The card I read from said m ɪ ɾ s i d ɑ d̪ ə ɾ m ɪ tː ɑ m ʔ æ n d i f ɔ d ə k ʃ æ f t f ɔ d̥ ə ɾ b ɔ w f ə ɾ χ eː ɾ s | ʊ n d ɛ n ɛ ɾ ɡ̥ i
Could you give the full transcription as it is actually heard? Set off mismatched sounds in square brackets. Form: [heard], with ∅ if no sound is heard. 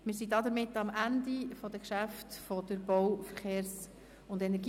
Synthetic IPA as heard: m ɪ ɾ s i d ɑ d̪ ə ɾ m ɪ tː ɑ m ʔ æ n d i f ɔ d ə k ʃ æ f t f ɔ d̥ ə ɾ b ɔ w f ə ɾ χ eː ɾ s | ʊ n d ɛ n ɛ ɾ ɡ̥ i